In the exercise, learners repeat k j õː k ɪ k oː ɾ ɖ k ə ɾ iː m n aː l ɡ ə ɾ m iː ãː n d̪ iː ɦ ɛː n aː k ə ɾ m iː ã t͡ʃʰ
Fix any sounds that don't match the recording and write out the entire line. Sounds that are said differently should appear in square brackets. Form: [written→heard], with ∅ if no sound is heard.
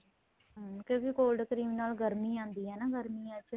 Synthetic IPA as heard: k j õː k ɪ k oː [ɾ→l] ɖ k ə ɾ iː m n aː l ɡ ə ɾ m iː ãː n d̪ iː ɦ ɛː n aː [k→ɡ] ə ɾ m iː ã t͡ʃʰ